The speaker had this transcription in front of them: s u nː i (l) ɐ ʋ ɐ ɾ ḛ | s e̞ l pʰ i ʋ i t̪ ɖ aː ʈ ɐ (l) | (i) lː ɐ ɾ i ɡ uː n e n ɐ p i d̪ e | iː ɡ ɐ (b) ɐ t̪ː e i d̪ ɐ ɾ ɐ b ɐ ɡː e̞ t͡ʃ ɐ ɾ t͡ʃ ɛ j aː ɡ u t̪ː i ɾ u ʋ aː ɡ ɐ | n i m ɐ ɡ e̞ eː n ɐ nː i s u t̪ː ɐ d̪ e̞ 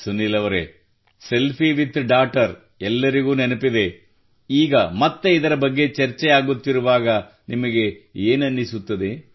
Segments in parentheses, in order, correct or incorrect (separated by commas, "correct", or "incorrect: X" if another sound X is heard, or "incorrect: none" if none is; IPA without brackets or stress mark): correct, incorrect: ɾ, incorrect: ɛ, incorrect: m